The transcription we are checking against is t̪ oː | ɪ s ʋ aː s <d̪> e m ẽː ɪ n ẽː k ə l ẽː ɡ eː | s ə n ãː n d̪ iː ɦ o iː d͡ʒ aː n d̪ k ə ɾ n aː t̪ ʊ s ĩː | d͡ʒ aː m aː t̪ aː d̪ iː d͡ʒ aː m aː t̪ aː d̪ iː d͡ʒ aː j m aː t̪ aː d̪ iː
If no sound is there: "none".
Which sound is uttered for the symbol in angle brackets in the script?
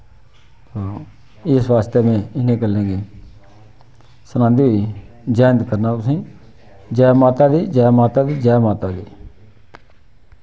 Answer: t̪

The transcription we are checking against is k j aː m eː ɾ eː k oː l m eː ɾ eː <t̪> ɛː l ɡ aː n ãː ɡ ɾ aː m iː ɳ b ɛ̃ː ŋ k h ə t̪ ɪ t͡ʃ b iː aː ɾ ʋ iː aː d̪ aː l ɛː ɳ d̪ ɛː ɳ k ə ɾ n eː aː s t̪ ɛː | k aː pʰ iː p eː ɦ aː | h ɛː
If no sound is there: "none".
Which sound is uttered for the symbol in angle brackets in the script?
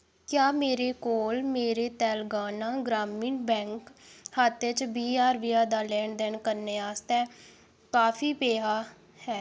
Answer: t̪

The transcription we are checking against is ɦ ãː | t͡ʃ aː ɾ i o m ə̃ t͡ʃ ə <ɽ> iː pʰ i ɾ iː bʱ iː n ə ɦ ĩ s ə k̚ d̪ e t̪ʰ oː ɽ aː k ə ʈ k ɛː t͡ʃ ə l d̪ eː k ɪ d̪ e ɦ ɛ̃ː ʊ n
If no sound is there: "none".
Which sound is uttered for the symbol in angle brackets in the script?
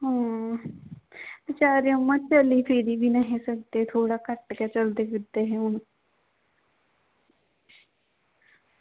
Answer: l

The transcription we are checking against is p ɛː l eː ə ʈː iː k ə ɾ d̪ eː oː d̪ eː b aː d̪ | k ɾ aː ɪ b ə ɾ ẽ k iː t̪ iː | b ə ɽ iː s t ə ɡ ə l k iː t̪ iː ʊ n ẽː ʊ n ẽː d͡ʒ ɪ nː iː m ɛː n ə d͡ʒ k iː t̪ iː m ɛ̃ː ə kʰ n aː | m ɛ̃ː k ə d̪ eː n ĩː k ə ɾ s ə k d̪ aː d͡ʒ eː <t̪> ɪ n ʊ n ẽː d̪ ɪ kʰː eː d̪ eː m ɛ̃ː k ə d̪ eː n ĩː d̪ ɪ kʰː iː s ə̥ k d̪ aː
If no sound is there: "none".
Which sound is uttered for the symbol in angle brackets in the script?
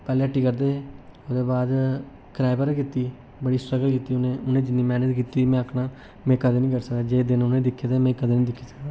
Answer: d̪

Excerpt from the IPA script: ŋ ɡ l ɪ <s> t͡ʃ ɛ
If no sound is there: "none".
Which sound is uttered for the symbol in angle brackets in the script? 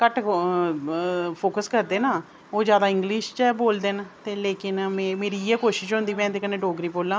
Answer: ʃ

